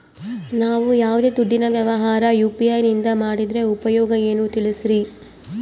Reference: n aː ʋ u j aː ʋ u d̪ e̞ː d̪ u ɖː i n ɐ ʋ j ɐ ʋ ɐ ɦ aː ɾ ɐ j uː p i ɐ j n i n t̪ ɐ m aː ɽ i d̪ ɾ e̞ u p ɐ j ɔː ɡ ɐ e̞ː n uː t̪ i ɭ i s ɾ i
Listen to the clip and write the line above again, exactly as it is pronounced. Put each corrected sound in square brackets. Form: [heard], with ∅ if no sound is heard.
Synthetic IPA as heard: n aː ʋ u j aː ʋ u d̪ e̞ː d̪ u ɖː i n ɐ ʋ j ɐ ʋ ɐ ɦ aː ɾ ɐ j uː p i ɐ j n i n [d̪] ɐ m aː ɽ i d̪ ɾ e̞ u p ɐ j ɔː ɡ ɐ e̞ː n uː t̪ i ɭ i s ɾ i

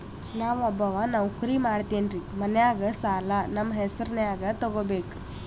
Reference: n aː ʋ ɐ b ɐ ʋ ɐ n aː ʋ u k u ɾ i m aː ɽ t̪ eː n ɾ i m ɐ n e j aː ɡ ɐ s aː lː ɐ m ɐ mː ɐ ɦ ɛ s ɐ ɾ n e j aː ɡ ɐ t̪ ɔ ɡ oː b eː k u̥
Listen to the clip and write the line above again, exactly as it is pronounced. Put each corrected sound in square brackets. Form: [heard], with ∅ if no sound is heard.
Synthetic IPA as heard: n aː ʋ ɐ b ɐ ʋ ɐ n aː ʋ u k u ɾ i m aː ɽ t̪ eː n ɾ i m ɐ n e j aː ɡ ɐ s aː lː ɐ [n] ɐ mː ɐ ɦ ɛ s ɐ ɾ n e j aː ɡ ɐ t̪ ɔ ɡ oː b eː k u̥

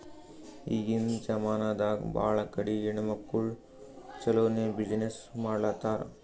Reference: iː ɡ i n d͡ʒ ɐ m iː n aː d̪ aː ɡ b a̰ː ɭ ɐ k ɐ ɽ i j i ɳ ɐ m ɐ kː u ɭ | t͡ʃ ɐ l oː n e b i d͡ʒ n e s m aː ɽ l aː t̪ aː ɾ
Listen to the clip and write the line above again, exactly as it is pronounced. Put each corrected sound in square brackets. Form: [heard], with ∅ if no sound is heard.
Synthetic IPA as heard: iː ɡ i n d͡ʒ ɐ m [aː] n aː d̪ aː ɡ b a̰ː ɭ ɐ k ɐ ɽ i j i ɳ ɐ m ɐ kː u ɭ | t͡ʃ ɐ l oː n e b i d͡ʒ n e s m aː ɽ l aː t̪ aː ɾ

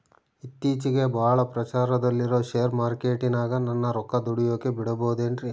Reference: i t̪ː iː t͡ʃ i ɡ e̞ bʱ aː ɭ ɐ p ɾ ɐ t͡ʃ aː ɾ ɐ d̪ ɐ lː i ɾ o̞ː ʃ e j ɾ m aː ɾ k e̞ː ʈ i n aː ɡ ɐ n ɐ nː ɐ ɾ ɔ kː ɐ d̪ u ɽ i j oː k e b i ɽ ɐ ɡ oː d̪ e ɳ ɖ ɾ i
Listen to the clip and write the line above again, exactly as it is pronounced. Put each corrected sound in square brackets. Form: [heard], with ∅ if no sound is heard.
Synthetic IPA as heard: i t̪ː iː t͡ʃ i ɡ e̞ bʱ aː ɭ ɐ p ɾ ɐ t͡ʃ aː ɾ ɐ d̪ ɐ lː i ɾ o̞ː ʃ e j ɾ m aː ɾ k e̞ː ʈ i n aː ɡ ɐ n ɐ nː ɐ ɾ ɔ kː ɐ d̪ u ɽ i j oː k e b i ɽ ɐ [b] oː d̪ e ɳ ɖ ɾ i

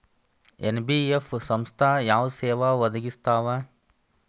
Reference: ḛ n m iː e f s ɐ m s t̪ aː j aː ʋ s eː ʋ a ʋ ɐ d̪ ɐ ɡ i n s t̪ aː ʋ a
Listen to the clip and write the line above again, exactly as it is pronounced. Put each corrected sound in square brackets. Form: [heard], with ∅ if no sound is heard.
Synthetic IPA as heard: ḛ n [b] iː e f s ɐ m s [t̪ʰ] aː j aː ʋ s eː ʋ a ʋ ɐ d̪ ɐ ɡ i [∅] s t̪ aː ʋ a

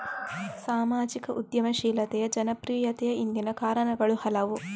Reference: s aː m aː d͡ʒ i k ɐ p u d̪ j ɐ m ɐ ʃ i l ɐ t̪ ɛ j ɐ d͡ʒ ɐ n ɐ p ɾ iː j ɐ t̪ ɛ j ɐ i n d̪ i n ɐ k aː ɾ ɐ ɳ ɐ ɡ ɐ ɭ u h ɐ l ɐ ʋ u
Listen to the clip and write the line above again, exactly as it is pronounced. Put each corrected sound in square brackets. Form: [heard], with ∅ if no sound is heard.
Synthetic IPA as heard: s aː m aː d͡ʒ i k ɐ [ʔ] u d̪ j ɐ m ɐ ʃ [iː] l ɐ t̪ ɛ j ɐ d͡ʒ ɐ n ɐ p ɾ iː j ɐ t̪ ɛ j ɐ i n d̪ i n ɐ k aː ɾ ɐ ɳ ɐ ɡ ɐ ɭ u h ɐ l ɐ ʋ u

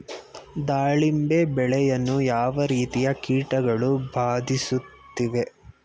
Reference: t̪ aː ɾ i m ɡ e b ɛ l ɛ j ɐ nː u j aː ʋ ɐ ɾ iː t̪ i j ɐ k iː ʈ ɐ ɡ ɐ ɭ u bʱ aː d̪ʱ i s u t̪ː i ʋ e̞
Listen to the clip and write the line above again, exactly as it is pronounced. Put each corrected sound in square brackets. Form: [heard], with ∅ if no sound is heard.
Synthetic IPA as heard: [d̪] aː [ɭ] i m [b] e b ɛ [ɭ] ɛ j ɐ nː u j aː ʋ ɐ ɾ iː t̪ i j ɐ k iː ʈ ɐ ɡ ɐ ɭ u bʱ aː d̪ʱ i s u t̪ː i ʋ e̞

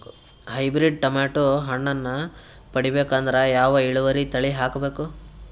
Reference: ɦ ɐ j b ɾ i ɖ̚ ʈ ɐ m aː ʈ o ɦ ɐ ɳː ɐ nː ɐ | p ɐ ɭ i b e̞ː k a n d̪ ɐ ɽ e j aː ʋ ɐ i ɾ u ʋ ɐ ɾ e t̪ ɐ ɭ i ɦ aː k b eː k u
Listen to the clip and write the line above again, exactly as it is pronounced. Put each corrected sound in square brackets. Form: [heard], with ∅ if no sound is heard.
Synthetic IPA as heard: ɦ ɐ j b ɾ i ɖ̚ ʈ ɐ m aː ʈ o ɦ ɐ ɳː ɐ nː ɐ | p ɐ [ɽ] i b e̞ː k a n d̪ ɐ [ɾ] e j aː ʋ ɐ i [ɭ] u ʋ ɐ ɾ [i] t̪ ɐ ɭ i ɦ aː k b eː k u

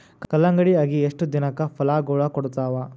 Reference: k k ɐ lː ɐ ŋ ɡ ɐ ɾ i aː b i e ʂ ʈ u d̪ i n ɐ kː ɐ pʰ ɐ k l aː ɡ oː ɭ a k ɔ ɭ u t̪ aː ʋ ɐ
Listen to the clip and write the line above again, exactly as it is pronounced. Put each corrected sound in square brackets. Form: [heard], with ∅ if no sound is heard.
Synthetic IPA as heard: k k ɐ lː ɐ ŋ ɡ ɐ [ɽ] i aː [ɡ] i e ʂ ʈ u d̪ i n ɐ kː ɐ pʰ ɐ [∅] l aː ɡ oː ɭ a k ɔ [ɽ] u t̪ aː ʋ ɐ

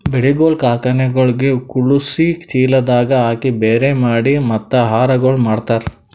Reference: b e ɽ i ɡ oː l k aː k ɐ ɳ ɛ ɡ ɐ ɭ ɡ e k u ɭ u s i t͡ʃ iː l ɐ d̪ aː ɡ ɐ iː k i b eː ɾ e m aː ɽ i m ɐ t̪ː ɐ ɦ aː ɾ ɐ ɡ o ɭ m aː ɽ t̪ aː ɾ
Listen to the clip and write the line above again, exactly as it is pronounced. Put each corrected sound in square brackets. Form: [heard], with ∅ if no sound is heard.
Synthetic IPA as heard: b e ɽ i ɡ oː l k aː k ɐ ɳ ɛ ɡ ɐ ɭ ɡ e k u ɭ u s i t͡ʃ iː l ɐ d̪ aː ɡ ɐ [aː] k i b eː ɾ e m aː ɽ i m ɐ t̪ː ɐ ɦ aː ɾ ɐ ɡ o ɭ m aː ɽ t̪ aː ɾ

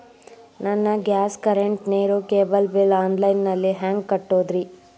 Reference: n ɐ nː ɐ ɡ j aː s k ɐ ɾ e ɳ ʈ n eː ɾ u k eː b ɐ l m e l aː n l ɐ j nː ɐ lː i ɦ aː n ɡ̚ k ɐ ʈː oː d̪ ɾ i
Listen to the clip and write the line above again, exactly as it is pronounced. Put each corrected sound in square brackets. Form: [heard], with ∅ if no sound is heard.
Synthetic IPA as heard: n ɐ nː ɐ ɡ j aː s k ɐ ɾ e ɳ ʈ n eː ɾ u k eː b ɐ l [b] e l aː n l ɐ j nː ɐ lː i ɦ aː [ŋ] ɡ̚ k ɐ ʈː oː d̪ ɾ i

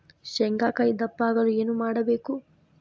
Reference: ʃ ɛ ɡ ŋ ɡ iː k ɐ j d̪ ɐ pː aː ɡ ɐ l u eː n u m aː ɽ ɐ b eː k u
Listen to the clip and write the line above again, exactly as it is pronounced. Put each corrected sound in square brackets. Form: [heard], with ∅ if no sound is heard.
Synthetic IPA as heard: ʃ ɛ [∅] ŋ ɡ [aː] k ɐ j d̪ ɐ pː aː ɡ ɐ l u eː n u m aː ɽ ɐ b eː k u

